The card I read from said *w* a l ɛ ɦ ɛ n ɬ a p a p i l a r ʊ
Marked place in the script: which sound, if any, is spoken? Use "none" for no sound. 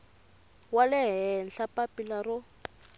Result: w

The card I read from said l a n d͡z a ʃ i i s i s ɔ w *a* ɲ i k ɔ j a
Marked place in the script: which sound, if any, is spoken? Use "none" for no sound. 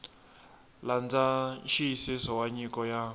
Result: a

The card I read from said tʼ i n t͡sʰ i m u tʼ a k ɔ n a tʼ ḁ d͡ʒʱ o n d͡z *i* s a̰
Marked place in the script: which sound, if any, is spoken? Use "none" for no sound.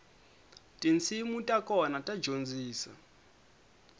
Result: iː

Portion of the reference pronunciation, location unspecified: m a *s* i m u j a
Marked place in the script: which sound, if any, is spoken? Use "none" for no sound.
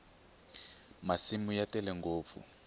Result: s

